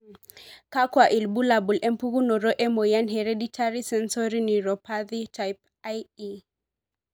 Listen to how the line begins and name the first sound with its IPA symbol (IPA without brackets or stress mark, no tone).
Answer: k